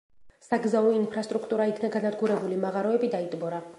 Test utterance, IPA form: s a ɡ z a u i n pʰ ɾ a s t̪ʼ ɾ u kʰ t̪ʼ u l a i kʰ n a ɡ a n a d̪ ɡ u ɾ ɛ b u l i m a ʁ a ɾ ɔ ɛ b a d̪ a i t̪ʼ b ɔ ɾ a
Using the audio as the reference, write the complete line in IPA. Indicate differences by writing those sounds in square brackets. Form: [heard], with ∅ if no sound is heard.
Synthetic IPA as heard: s a ɡ z a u i n pʰ ɾ a s t̪ʼ ɾ u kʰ t̪ʼ u [ɾ] a i kʰ n a ɡ a n a d̪ ɡ u ɾ ɛ b u l i m a ʁ a ɾ ɔ ɛ b [i] d̪ a i t̪ʼ b ɔ ɾ a

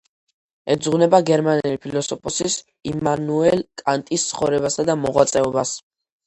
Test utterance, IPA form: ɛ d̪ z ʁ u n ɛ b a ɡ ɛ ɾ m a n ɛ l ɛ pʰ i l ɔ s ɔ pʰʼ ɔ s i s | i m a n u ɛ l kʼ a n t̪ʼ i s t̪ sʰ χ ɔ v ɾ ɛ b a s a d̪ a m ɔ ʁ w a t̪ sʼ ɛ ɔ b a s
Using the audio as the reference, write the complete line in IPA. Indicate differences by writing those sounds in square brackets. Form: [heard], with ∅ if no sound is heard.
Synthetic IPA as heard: ɛ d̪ z ʁ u n ɛ b a ɡ ɛ ɾ m a n ɛ l [i] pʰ i l ɔ s ɔ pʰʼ ɔ s i s | i m a n u ɛ l kʼ a n t̪ʼ i s t̪ sʰ χ ɔ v ɾ ɛ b a s a d̪ a m ɔ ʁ w a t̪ sʼ ɛ ɔ b a s

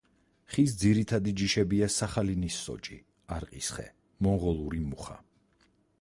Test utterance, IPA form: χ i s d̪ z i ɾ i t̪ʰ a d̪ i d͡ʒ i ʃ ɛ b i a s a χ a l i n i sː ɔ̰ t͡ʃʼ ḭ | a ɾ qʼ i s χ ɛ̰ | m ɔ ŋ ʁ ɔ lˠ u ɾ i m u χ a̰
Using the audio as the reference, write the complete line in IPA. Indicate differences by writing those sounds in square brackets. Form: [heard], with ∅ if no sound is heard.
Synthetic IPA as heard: χ i s d̪ z i ɾ i t̪ʰ a d̪ i d͡ʒ i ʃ ɛ b i a s a χ a l i n i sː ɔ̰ t͡ʃʼ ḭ | a ɾ qʼ i s χ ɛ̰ | m ɔ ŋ ʁ ɔ lˠ u ɾ i m u χ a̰

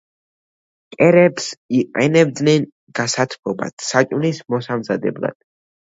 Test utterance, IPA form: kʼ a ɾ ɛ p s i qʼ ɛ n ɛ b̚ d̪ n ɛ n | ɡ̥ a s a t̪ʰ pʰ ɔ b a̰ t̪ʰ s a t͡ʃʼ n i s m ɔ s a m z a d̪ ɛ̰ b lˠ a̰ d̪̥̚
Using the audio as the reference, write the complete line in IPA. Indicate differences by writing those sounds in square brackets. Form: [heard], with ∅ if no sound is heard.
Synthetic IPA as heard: kʼ [ɛ] ɾ ɛ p s i qʼ ɛ n ɛ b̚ d̪ n ɛ n | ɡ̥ a s a t̪ʰ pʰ ɔ b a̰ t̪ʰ s a t͡ʃʼ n i s m ɔ s a m z a d̪ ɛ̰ b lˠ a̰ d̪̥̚

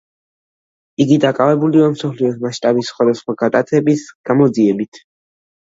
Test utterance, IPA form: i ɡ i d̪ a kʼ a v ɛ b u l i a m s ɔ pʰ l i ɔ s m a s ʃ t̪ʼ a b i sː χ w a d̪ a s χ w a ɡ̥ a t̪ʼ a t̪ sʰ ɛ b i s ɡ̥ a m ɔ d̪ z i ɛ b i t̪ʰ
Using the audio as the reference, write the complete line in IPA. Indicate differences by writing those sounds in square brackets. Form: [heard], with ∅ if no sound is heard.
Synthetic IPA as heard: i ɡ i d̪ a kʼ a v ɛ b u l i a m s ɔ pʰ l i ɔ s m a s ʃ t̪ʼ a b i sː χ w a d̪ a s χ w a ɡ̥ a t̪ʼ a t̪ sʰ ɛ b i s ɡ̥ a m ɔ d̪ z i ɛ b i t̪ʰ

